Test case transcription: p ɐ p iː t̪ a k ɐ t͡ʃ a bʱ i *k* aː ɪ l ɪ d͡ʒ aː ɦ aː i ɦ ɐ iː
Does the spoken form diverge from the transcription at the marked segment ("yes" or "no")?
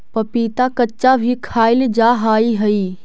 yes